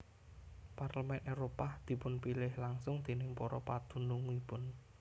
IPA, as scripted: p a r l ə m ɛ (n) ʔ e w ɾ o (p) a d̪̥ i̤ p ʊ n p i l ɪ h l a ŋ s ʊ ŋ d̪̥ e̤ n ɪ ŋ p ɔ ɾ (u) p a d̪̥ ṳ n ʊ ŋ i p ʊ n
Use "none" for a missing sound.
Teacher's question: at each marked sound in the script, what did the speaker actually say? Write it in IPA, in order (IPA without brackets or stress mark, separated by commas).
n, p, ɔ